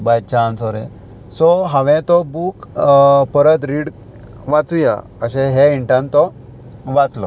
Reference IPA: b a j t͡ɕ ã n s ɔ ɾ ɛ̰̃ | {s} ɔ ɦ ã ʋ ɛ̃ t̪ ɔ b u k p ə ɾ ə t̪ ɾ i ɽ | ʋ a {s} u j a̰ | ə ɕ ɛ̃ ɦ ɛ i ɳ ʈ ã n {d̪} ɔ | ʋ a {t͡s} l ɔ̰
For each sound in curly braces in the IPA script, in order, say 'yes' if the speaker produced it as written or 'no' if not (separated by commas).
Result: yes, no, no, yes